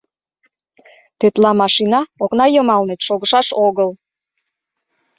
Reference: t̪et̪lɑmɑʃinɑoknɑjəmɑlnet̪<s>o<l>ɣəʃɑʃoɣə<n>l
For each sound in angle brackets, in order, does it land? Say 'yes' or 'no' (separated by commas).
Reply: no, no, no